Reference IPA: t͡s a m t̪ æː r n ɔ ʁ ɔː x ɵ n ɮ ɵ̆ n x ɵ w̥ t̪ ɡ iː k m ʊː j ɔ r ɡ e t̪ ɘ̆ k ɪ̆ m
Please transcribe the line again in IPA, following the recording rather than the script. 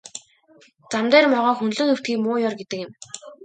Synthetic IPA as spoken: t͡s a m t̪ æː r m ɔ ʁ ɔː x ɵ n ɮ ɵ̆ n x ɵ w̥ t̪ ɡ iː k m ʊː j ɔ r ɡ e t̪ ɘ̆ k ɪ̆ m